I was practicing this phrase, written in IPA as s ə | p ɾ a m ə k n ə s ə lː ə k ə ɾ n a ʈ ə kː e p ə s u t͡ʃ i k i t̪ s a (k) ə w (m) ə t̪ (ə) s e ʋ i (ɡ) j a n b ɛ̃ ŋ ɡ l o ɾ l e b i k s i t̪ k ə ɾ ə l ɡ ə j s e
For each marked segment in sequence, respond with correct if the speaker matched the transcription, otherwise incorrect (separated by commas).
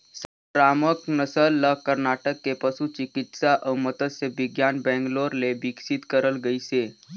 incorrect, correct, correct, correct